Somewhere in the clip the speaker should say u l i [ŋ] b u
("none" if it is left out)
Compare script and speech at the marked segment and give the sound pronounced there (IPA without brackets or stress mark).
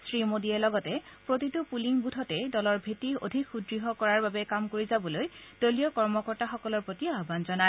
ŋ